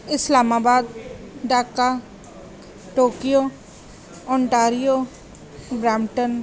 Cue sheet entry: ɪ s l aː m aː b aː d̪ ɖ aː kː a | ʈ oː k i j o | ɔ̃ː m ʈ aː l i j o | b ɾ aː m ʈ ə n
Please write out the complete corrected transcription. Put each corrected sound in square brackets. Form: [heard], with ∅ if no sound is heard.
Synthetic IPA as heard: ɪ s l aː m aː b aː d̪ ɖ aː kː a | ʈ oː k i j o | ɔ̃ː [ɳ] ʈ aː [ɾ] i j o | b ɾ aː m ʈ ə n